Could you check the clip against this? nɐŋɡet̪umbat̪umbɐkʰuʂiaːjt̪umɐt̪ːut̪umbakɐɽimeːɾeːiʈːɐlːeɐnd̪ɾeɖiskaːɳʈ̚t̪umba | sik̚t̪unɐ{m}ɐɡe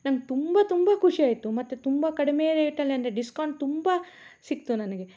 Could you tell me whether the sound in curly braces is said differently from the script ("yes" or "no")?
yes